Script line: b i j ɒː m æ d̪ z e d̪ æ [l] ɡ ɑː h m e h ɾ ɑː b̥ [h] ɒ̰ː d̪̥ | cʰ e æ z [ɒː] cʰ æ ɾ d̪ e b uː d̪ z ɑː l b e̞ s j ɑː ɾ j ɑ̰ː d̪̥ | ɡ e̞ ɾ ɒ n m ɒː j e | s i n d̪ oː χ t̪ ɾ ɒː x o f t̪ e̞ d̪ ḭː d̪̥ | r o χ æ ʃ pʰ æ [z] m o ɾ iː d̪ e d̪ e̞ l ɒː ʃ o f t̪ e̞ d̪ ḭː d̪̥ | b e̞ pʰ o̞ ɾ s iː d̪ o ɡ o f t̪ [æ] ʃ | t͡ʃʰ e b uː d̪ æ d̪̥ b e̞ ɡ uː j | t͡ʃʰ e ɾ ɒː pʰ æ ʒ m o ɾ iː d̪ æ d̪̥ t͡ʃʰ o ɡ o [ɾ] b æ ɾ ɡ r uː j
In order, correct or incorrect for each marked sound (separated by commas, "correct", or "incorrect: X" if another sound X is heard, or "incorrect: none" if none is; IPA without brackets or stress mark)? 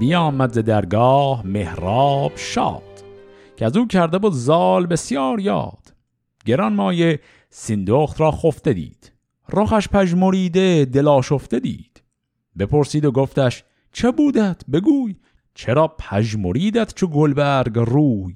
incorrect: ɾ, incorrect: ʃ, incorrect: uː, incorrect: ʒ, correct, incorrect: l